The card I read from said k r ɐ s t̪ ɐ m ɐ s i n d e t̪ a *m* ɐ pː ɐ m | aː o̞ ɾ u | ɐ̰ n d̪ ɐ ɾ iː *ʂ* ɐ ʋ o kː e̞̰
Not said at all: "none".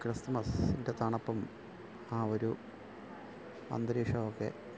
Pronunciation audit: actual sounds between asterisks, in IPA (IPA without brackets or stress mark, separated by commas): ɳ, ʂ